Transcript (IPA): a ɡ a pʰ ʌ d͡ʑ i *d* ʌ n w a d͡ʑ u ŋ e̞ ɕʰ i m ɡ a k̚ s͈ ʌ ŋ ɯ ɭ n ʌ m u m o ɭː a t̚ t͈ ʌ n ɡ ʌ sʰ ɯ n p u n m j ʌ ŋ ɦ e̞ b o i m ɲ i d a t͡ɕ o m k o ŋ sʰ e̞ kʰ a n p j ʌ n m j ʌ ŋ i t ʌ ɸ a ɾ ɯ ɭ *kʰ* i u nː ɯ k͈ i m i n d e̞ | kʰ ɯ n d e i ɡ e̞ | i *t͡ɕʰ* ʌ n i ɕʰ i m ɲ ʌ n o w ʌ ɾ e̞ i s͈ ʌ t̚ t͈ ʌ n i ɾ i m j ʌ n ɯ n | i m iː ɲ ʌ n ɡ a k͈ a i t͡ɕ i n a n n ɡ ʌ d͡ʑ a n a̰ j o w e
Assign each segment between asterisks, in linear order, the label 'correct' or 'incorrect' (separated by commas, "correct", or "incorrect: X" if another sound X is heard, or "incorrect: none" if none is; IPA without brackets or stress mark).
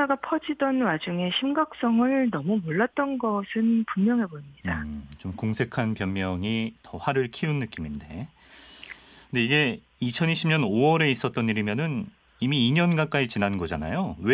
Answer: correct, correct, correct